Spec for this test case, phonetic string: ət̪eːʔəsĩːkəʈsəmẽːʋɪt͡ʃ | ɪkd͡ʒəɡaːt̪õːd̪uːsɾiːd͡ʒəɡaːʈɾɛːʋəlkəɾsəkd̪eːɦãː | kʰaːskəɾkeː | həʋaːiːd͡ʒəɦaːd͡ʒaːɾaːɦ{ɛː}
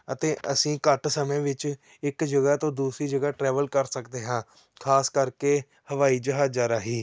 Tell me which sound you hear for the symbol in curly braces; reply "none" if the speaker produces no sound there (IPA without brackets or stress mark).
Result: iː